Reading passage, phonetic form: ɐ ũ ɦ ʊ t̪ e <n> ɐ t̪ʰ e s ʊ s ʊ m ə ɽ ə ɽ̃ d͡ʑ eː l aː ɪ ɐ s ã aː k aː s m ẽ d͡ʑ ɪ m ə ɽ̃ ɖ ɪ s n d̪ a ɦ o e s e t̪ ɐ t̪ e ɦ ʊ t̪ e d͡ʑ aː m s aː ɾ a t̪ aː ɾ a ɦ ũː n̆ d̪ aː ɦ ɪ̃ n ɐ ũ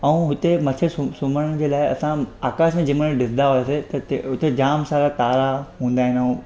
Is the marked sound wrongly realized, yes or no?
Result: yes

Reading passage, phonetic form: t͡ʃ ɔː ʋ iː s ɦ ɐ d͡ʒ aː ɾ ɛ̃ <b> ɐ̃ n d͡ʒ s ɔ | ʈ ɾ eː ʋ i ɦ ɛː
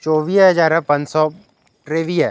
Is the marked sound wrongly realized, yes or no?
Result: yes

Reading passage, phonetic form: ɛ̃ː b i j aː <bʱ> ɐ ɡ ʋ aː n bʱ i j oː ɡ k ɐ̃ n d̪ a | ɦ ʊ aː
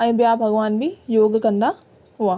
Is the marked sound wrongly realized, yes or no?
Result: no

